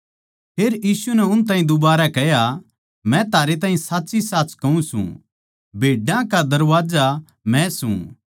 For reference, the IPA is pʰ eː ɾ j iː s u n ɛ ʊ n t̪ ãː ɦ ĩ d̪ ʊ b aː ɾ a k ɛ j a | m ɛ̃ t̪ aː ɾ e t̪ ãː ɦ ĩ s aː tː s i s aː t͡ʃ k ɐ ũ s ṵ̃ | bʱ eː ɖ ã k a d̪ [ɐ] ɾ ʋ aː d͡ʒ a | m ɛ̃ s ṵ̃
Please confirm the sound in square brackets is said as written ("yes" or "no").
yes